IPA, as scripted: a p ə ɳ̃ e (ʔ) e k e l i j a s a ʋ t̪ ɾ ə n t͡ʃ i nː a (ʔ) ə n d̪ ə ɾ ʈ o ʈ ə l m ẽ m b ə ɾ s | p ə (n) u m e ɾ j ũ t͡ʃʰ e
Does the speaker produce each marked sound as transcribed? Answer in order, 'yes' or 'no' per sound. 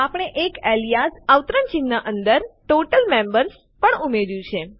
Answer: yes, yes, no

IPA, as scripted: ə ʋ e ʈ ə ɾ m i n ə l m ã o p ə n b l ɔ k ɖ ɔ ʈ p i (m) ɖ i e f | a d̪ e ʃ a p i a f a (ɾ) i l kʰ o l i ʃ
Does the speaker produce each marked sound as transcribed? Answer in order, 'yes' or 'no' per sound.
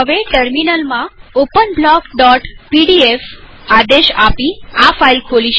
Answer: no, no

